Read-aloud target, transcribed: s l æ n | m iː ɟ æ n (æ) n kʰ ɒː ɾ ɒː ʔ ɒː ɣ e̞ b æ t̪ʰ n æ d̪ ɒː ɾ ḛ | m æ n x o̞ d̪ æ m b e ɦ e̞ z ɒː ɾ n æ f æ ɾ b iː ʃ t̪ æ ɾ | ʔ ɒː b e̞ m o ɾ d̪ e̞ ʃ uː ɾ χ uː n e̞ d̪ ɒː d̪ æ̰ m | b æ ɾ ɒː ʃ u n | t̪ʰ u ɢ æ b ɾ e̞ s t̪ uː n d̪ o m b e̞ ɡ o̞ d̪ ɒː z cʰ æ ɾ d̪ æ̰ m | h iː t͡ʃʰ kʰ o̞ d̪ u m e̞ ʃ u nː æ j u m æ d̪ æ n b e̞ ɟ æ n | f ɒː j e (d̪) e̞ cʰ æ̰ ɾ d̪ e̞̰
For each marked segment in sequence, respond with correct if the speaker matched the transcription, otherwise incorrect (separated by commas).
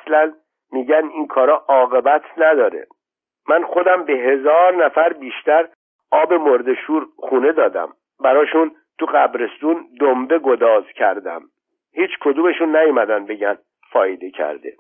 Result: incorrect, correct